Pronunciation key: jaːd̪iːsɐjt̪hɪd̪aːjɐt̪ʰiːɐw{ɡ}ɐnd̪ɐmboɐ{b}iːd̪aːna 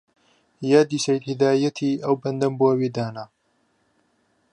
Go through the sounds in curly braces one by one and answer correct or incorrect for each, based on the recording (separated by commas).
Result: incorrect, incorrect